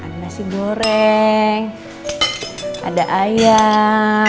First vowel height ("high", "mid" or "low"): low